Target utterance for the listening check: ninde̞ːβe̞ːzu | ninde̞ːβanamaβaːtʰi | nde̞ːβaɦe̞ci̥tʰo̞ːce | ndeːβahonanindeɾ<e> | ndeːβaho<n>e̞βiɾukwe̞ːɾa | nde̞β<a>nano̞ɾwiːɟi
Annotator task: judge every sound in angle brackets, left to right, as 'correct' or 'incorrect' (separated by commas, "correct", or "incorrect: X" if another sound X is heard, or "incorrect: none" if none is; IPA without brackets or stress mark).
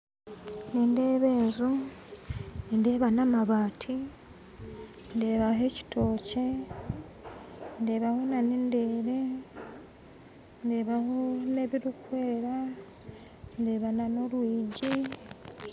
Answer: correct, correct, correct